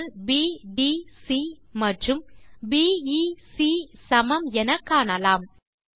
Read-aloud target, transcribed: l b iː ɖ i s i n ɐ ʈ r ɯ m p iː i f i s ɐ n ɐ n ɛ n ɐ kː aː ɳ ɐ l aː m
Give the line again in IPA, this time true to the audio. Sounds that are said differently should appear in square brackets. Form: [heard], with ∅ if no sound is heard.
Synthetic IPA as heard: l b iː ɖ i s i [m] ɐ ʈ r ɯ m [b] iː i [s] i s ɐ [m] ɐ [m] ɛ n ɐ kː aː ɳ ɐ l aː m

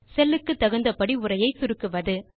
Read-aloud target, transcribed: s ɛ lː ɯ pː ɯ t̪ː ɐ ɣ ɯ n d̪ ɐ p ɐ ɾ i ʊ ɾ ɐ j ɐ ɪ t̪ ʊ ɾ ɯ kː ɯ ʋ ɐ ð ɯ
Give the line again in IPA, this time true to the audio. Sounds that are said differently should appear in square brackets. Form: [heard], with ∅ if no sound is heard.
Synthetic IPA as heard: s ɛ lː ɯ [kː] ɯ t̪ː ɐ ɣ ɯ n d̪ ɐ p ɐ [ɽ] i ʊ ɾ ɐ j ɐ ɪ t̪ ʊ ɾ ɯ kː ɯ ʋ ɐ ð ɯ

